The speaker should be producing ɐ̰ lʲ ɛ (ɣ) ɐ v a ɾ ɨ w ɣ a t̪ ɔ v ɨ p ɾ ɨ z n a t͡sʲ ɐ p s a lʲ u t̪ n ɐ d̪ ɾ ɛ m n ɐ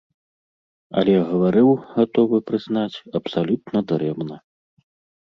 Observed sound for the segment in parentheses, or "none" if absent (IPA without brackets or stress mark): ɣ